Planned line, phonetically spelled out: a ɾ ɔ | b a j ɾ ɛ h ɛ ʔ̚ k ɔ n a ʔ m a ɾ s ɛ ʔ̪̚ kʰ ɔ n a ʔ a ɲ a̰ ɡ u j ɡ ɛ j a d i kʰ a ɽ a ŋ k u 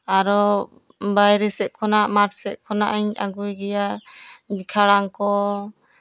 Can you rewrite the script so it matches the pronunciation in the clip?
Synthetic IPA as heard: a ɾ ɔ | b a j ɾ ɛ s ɛ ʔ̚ kʰ ɔ n a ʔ m a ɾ s ɛ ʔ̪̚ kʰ ɔ n a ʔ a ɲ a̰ ɡ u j ɡ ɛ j a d i kʰ a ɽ a ŋ k ɔ